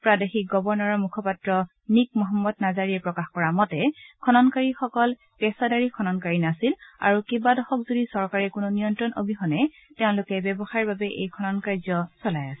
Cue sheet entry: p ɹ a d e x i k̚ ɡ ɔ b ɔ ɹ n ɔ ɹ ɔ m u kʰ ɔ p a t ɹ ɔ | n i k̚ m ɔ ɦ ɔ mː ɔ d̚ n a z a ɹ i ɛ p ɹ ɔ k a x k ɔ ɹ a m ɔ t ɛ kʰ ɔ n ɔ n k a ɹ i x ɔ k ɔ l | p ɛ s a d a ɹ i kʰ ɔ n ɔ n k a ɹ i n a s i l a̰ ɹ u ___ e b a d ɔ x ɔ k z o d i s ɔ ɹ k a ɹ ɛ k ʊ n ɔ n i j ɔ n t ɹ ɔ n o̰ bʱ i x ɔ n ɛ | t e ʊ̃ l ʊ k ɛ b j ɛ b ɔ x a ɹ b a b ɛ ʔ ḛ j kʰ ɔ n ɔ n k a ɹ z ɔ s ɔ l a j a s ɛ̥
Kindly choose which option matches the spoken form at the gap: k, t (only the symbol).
k